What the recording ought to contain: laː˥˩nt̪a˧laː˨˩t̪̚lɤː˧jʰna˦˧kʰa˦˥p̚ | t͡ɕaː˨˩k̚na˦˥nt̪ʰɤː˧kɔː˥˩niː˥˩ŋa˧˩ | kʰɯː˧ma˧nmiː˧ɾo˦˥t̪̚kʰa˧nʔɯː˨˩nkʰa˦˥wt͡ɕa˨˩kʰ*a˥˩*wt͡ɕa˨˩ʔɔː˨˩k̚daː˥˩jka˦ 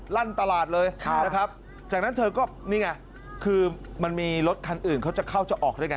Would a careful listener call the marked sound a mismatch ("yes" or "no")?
no